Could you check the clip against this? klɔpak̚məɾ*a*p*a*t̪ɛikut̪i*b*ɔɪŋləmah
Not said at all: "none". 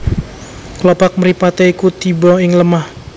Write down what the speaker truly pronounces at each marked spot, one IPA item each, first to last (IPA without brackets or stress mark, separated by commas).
i, a, b